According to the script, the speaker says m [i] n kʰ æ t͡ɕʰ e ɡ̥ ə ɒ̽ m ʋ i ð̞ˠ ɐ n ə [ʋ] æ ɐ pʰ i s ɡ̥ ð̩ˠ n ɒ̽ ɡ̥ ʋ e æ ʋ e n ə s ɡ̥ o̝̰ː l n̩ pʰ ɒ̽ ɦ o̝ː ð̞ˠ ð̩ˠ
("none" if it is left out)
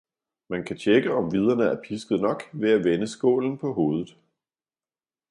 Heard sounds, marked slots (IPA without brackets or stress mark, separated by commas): æ, none